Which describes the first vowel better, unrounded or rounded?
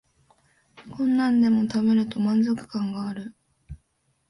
rounded